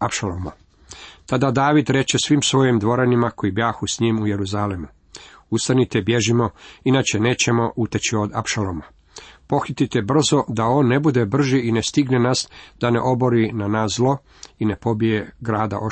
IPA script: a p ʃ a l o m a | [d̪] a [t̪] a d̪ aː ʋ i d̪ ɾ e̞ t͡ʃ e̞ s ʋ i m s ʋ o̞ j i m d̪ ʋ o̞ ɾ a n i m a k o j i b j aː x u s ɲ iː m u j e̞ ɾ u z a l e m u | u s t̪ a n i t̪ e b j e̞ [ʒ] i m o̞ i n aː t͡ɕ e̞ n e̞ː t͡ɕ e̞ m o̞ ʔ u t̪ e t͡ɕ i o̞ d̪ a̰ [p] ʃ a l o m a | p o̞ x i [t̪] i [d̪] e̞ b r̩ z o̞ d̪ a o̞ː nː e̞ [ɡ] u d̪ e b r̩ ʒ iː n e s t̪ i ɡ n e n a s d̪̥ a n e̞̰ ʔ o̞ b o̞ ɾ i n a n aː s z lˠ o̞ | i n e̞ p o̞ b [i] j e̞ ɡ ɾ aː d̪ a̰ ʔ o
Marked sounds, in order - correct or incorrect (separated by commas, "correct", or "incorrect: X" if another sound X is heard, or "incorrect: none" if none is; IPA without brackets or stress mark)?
incorrect: t̪, incorrect: d̪, correct, correct, correct, incorrect: t̪, incorrect: b, correct